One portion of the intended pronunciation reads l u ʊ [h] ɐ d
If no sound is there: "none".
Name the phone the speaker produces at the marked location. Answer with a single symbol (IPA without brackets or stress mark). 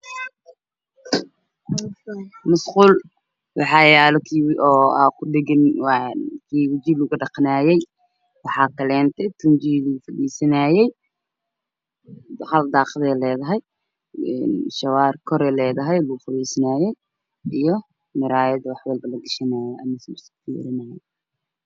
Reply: f